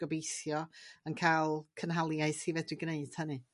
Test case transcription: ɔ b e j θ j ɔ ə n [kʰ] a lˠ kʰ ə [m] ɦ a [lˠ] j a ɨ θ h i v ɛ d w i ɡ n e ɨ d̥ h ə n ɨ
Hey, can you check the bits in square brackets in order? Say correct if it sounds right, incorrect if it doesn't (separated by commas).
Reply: correct, incorrect, correct